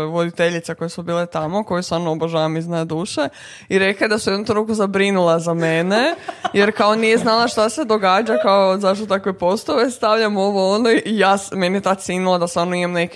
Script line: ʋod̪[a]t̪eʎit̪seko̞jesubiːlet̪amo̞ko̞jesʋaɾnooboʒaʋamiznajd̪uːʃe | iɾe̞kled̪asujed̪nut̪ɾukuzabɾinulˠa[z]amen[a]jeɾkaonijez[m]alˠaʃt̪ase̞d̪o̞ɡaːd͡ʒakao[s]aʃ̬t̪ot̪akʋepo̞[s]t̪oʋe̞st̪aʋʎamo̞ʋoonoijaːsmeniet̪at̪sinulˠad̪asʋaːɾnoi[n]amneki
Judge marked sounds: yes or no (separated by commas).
no, yes, no, no, no, yes, no